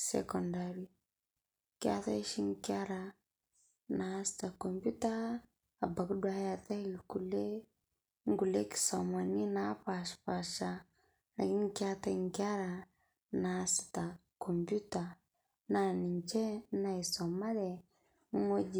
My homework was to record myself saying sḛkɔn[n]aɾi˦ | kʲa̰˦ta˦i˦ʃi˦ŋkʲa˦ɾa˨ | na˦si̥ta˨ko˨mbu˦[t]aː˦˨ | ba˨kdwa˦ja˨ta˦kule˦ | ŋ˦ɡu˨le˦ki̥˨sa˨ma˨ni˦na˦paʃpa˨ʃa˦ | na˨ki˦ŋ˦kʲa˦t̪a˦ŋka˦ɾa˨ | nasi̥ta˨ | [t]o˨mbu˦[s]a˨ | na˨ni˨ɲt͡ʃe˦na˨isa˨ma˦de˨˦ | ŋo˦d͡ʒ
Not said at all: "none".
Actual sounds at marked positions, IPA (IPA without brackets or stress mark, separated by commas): d, t, k, t